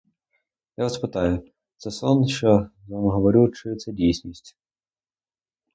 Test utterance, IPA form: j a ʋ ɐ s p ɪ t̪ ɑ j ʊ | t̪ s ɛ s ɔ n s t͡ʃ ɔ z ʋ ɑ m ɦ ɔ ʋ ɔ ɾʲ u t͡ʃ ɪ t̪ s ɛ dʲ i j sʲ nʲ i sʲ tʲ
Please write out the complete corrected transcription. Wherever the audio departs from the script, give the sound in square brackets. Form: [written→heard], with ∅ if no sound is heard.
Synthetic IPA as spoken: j a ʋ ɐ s p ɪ t̪ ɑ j ʊ | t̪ s ɛ s ɔ n [s→ʃ] t͡ʃ ɔ z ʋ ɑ m ɦ ɔ ʋ ɔ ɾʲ u t͡ʃ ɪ t̪ s ɛ dʲ i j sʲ nʲ i sʲ tʲ